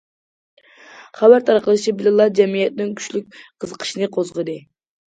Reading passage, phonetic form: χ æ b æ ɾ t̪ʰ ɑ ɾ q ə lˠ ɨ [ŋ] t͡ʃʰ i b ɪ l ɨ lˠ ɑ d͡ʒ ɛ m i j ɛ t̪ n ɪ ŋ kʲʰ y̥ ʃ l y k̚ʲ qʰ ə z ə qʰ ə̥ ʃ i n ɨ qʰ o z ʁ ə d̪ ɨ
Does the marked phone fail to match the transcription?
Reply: yes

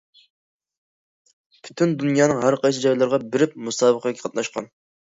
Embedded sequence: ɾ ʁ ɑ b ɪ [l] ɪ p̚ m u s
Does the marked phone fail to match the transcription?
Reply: yes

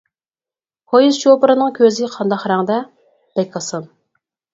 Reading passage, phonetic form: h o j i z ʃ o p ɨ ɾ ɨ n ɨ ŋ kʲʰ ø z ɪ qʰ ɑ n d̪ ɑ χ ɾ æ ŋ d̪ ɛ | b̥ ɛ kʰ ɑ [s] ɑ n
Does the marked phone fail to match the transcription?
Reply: no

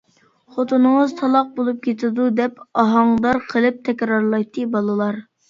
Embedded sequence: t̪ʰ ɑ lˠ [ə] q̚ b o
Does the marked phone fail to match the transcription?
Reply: yes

